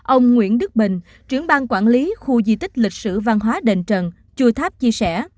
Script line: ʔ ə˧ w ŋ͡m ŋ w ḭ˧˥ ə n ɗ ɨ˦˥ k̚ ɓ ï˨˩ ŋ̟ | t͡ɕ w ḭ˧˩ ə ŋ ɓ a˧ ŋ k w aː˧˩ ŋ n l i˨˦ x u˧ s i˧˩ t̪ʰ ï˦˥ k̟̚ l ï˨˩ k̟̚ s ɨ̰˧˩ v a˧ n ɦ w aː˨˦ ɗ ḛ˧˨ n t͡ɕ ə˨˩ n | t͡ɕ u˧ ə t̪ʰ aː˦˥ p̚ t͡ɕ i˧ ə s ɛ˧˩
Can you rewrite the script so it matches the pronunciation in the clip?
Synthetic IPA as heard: ʔ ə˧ w ŋ͡m ŋ w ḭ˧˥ ə n ɗ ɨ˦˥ k̚ ɓ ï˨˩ ŋ̟ | t͡ɕ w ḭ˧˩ ə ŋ ɓ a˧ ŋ k w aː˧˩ n l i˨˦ x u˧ z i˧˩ t̪ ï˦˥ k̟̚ l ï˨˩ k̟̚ s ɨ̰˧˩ v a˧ n ɦ w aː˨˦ ɗ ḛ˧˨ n t͡ɕ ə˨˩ n | t͡ɕ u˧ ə t̪ʰ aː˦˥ p̚ t͡ɕ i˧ ə s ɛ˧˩